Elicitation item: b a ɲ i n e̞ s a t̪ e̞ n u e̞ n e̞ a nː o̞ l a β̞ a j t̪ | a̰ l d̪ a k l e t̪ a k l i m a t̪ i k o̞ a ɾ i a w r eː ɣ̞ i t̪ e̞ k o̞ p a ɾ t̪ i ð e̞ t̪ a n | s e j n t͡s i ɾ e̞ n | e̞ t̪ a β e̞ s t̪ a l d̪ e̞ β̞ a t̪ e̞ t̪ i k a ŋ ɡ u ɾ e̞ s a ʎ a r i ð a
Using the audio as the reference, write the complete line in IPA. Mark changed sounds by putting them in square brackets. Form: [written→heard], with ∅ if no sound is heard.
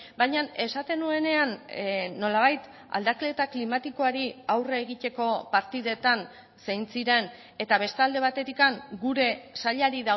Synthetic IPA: b a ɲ [i→a] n e̞ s a t̪ e̞ n u e̞ n e̞ a nː o̞ l a β̞ a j t̪ | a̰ l d̪ a k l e t̪ a k l i m a t̪ i k o̞ a ɾ i a w r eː ɣ̞ i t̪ e̞ k o̞ p a ɾ t̪ i ð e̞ t̪ a n | s e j n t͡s i ɾ e̞ n | e̞ t̪ a β e̞ s t̪ a l d̪ e̞ β̞ a t̪ e̞ t̪ i k a ŋ ɡ u ɾ e̞ s a ʎ a [r→ɾ] i ð a